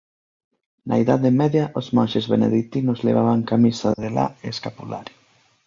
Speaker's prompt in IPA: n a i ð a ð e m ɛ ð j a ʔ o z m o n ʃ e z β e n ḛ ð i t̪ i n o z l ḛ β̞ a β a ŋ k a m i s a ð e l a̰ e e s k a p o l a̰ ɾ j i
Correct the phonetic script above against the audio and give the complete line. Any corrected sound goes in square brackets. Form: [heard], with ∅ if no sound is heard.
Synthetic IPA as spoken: n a i ð a ð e m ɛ ð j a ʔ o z m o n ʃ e z β e n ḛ ð i t̪ i n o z l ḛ β̞ a β a ŋ k a m i s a ð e l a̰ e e s k a p [u] l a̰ ɾ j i